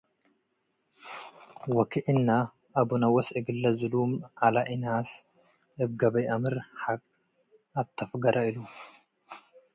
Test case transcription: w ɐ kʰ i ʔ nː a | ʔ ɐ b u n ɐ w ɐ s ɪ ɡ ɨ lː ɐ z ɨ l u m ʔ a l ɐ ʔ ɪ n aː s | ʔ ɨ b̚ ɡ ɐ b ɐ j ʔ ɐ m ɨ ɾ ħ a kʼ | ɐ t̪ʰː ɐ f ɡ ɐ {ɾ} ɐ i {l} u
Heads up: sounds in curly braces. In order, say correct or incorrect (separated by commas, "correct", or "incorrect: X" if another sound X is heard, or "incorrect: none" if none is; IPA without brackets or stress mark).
correct, correct